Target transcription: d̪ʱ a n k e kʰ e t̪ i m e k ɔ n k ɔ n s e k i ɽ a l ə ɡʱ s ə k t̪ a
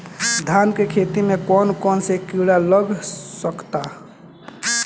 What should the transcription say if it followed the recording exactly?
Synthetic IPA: d̪ʱ a n k e kʰ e t̪ i m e k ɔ n k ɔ n s e k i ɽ a l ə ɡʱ s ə k t̪ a